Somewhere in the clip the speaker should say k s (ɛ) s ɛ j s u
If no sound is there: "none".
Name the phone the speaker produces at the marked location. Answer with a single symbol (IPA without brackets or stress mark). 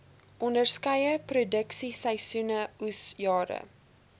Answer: i